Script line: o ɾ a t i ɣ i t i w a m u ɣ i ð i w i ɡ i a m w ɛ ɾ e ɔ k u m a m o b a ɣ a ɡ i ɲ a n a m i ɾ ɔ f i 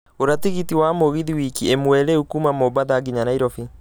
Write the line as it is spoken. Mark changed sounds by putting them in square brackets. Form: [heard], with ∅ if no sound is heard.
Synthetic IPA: o ɾ a t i ɣ i t i w a m [o] ɣ i ð i w i [k] i [e] m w ɛ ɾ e [u] k u m a m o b a [ð] a ɡ i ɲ a n a [∅] i ɾ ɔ f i